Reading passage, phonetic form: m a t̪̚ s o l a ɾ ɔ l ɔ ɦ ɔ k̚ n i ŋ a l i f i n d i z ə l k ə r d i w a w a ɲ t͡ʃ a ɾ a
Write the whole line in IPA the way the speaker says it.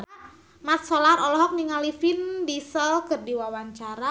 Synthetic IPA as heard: m a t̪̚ s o l a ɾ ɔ l ɔ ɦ ɔ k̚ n i ŋ a l i f i n d i s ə l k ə r d i w a w a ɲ t͡ʃ a ɾ a